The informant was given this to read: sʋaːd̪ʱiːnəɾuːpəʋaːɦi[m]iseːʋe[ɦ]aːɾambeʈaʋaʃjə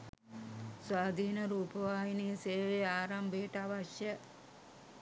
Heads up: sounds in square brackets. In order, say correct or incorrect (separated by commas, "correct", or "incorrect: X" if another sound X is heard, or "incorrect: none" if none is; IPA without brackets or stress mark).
incorrect: n, incorrect: none